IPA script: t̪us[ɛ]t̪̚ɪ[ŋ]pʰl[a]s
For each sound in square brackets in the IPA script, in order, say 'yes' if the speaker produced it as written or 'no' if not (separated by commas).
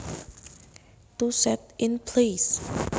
yes, no, no